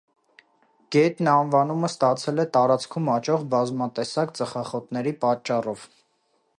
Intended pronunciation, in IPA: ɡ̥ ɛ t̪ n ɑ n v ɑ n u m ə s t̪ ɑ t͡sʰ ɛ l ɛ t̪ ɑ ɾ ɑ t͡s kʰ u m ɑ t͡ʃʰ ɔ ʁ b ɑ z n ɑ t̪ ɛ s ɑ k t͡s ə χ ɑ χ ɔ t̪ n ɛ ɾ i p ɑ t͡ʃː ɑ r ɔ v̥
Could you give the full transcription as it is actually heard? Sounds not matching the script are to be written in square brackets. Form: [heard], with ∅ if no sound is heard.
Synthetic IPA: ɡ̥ ɛ t̪ n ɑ n v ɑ n u m ə s t̪ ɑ t͡sʰ ɛ l ɛ t̪ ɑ ɾ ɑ t͡s kʰ u m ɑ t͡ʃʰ ɔ ʁ b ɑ z [m] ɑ t̪ ɛ s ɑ k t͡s ə χ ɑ χ ɔ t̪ n ɛ ɾ i p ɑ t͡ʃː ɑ r ɔ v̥

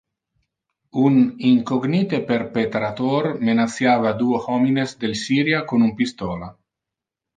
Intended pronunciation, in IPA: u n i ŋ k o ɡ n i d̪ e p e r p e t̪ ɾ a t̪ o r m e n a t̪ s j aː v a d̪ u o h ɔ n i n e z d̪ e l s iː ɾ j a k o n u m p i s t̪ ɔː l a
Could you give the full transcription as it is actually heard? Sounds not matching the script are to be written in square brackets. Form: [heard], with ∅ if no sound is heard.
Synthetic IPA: u n i ŋ k o ɡ n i [t̪] e p e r p e t̪ ɾ a t̪ o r m e n a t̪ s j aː v a d̪ u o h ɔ [m] i n e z d̪ e l s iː ɾ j a k o n u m p i s t̪ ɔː l a

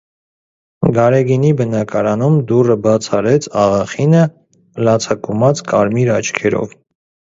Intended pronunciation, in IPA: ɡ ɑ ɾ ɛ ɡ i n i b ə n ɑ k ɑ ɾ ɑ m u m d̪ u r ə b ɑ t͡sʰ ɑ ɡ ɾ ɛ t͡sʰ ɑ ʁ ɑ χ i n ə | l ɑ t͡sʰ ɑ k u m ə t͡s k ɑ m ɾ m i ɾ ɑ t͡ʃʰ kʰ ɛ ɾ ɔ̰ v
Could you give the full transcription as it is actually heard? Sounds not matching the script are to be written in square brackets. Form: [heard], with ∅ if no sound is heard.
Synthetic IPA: ɡ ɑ ɾ ɛ ɡ i n i b ə n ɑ k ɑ ɾ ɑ [n] u m d̪ u r ə b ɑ t͡sʰ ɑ [∅] ɾ ɛ t͡sʰ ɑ ʁ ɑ χ i n ə | l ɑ t͡sʰ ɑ k u m [ɑ] t͡s k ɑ [∅] ɾ m i ɾ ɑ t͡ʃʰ kʰ ɛ ɾ ɔ̰ v

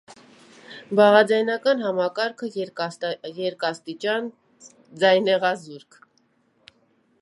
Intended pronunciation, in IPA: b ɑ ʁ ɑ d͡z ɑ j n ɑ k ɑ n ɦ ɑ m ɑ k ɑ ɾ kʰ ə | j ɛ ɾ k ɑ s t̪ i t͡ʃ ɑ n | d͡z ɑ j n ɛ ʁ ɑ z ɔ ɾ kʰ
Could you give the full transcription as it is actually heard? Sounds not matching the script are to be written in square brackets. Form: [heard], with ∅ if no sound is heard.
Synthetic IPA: b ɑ ʁ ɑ d͡z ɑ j n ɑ k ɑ n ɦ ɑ m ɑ k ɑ ɾ kʰ ə | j ɛ ɾ k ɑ s t̪ i t͡ʃ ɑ n | d͡z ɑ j n ɛ ʁ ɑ z [u] ɾ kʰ

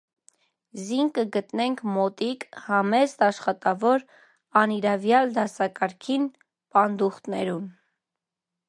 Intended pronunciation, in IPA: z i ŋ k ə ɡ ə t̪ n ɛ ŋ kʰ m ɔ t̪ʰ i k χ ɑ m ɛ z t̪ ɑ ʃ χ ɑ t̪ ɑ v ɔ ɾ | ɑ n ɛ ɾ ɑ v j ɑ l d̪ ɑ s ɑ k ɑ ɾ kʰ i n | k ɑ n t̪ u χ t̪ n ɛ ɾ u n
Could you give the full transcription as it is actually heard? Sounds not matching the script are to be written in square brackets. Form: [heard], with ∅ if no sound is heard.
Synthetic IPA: z i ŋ k ə ɡ ə t̪ n ɛ ŋ kʰ m ɔ [t̪] i k [h] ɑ m ɛ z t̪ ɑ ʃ χ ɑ t̪ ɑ v ɔ ɾ | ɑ n [i] ɾ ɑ v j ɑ l d̪ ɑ s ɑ k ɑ ɾ kʰ i n | [p] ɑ n [d̪] u χ t̪ n ɛ ɾ u n

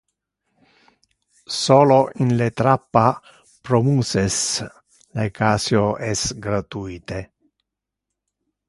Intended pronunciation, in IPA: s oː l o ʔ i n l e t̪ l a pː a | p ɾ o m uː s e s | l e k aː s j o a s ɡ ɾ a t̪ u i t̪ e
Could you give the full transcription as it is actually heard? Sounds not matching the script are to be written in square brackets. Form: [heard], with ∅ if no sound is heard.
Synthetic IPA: s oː l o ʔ i n l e t̪ [ɾ] a pː a | p ɾ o m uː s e s | l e k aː s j o [ɛ] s ɡ ɾ a t̪ u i t̪ e

